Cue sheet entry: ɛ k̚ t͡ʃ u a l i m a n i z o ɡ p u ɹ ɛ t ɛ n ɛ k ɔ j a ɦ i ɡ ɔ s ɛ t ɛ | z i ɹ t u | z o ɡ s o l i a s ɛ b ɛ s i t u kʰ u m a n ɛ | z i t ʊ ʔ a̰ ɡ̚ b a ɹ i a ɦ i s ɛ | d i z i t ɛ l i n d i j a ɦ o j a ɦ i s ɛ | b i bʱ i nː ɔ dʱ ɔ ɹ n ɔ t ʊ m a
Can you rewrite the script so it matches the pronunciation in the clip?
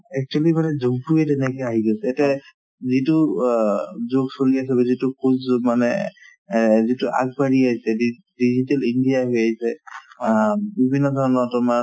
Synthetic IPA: ɛ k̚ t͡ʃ u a l i m a n ɛ z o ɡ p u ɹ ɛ t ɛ n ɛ k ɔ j a ɦ i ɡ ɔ s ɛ t ɛ | z i t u | z o ɡ s o l i a s ɛ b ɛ z i t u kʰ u m a n ɛ | z i t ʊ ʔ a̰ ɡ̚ b a ɹ i a ɦ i s ɛ | d i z i t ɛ l i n d i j a ɦ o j a ɦ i s ɛ | b i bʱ i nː ɔ dʱ ɔ ɹ n ɔ t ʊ m a